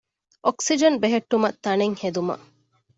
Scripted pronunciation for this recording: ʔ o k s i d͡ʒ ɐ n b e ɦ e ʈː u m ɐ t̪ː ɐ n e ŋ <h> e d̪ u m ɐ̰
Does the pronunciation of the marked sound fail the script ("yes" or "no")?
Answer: no